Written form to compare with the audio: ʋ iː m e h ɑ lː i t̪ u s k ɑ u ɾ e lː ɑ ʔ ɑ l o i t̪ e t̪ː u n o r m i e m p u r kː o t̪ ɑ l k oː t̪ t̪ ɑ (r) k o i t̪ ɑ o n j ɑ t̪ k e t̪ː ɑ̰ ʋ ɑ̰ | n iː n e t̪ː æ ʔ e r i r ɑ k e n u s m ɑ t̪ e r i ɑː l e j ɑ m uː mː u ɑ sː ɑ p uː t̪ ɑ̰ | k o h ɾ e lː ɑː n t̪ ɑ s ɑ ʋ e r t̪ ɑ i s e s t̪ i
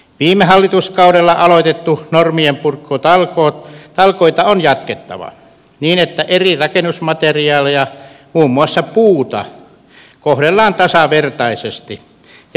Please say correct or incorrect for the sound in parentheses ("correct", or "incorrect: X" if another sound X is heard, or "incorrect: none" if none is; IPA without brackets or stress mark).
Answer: incorrect: l